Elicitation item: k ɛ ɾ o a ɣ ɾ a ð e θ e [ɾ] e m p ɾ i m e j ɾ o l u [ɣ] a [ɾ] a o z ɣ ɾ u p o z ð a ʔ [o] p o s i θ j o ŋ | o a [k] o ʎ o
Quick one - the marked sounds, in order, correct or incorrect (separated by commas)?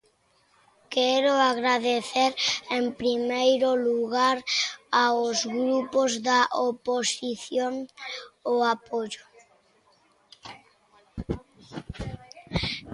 correct, correct, correct, correct, incorrect